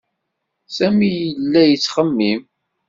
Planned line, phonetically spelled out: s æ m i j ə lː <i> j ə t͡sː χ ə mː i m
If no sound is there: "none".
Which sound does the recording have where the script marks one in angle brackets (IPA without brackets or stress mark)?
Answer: æ